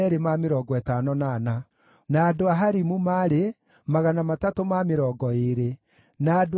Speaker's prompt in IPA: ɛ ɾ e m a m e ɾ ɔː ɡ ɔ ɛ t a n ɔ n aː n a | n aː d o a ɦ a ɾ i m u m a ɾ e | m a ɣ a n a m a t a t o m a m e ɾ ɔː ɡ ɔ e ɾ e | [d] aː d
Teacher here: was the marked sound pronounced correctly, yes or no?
no